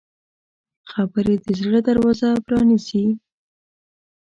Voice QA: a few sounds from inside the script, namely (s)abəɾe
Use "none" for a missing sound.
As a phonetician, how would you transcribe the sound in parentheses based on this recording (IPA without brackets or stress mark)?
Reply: x